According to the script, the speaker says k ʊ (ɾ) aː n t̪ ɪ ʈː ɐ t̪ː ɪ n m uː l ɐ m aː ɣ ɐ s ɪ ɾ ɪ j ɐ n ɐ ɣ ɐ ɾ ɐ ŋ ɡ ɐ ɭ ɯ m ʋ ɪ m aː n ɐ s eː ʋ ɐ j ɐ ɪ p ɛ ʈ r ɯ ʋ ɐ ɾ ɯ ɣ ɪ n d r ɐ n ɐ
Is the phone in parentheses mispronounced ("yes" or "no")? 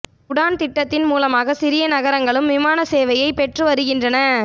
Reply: yes